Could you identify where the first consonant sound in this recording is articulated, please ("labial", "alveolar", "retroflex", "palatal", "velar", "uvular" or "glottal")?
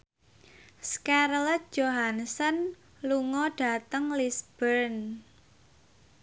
alveolar